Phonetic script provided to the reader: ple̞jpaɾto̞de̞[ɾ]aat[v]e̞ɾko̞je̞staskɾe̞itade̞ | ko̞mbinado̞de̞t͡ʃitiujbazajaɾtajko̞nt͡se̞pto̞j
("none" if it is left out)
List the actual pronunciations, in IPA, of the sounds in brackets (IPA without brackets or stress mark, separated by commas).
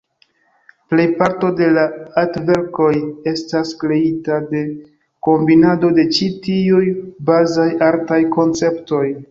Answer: l, v